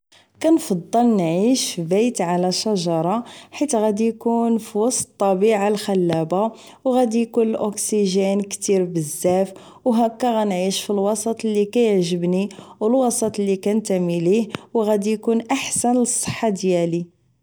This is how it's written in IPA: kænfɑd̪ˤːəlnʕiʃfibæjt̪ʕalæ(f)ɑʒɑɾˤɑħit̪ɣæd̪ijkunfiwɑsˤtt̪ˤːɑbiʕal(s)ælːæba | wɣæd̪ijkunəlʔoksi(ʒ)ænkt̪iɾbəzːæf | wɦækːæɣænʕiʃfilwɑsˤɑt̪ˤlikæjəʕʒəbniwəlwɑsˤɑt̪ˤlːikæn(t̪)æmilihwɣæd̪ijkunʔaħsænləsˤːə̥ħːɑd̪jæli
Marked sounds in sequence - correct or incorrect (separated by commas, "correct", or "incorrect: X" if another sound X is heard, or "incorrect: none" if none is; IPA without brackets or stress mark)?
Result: incorrect: ʃ, incorrect: x, correct, correct